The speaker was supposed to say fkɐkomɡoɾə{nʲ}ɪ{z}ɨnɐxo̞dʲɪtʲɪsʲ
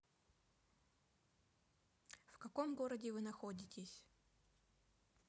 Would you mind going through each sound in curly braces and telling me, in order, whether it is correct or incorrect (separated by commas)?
incorrect, incorrect